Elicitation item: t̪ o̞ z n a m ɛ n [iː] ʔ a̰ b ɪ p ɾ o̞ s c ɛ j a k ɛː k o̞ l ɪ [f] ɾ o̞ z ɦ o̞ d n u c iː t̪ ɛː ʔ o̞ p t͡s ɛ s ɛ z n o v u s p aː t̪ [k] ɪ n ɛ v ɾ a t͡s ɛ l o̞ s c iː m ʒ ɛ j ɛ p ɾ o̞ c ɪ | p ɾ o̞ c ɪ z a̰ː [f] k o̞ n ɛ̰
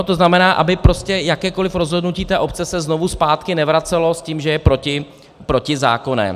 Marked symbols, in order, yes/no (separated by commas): no, yes, yes, no